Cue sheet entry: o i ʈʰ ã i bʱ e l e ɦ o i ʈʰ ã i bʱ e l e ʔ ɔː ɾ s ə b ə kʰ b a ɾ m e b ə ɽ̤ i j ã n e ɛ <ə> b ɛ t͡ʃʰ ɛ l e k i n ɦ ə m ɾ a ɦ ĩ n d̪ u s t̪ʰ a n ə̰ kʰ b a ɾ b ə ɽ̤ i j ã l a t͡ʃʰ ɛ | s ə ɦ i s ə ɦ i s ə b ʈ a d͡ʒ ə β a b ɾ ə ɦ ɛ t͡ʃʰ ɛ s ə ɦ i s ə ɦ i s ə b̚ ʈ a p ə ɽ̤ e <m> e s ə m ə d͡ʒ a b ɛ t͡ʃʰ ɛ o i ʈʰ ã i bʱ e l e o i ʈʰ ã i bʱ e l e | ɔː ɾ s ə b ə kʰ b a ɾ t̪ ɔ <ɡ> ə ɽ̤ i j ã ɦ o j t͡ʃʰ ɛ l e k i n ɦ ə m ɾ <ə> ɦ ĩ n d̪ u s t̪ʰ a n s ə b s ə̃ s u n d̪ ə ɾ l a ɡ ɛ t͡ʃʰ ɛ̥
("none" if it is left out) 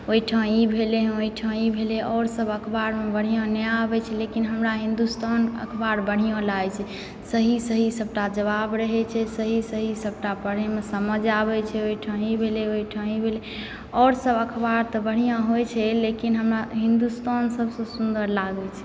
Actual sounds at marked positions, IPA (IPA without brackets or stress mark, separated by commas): a, m, b, a